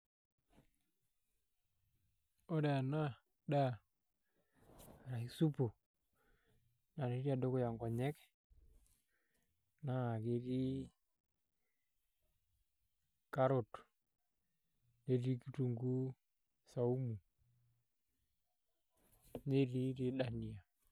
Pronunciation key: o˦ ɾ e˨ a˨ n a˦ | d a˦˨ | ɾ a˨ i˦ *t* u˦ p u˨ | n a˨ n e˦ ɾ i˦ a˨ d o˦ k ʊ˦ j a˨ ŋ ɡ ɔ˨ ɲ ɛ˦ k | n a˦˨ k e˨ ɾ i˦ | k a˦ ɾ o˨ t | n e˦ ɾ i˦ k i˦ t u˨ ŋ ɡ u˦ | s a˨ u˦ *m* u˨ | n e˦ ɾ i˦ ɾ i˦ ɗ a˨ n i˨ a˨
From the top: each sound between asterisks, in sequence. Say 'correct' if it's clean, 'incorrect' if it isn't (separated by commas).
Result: incorrect, correct